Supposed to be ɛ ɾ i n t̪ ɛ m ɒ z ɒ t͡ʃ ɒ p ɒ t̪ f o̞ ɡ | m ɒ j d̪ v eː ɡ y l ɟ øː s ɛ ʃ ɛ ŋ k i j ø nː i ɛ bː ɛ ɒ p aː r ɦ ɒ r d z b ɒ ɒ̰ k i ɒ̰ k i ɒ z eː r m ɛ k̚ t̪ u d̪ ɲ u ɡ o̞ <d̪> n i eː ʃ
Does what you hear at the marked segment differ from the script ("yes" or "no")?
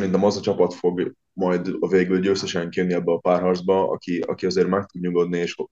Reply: no